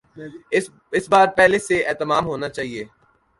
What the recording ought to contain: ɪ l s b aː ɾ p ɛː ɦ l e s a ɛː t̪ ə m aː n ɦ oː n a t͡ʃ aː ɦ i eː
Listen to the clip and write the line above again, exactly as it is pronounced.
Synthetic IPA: ɪ s b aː ɾ p ɛ ɦ l e s e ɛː t̪ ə m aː m ɦ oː n a t͡ʃ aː ɦ i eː